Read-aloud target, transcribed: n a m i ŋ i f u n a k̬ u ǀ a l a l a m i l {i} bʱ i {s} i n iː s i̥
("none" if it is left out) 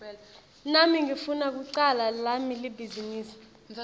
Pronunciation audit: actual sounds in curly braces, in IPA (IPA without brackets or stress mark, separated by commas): i, z